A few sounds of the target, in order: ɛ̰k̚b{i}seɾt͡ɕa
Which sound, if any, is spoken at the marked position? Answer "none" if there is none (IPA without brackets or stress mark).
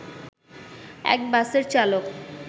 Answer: a